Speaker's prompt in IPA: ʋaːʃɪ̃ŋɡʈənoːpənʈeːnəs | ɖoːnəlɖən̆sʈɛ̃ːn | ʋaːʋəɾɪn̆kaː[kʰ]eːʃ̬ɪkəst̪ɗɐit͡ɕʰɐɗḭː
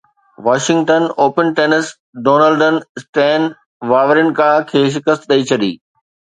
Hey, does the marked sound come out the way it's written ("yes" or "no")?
yes